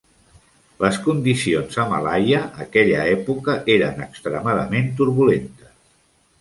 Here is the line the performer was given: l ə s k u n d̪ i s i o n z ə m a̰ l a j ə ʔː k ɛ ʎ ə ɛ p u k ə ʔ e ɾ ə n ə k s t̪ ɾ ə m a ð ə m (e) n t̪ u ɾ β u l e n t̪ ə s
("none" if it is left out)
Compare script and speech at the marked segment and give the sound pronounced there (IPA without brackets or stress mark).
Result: e